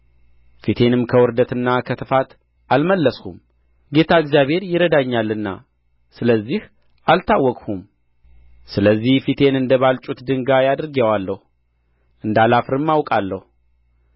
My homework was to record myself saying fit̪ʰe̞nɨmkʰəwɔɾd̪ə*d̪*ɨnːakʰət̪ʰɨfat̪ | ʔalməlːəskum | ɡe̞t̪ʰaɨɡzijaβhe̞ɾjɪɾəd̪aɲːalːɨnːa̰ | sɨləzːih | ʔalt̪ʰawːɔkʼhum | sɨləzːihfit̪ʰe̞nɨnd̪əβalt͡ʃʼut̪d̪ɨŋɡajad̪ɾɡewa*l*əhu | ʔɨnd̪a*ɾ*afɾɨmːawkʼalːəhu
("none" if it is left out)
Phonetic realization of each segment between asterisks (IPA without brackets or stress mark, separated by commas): t̪, lː, l